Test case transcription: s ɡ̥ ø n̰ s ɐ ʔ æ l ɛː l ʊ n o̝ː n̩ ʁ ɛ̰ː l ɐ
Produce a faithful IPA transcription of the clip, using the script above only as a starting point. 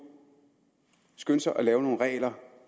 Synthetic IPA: s ɡ̥ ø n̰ s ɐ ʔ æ l ɛː ʊ n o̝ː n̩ ʁ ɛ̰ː l ɐ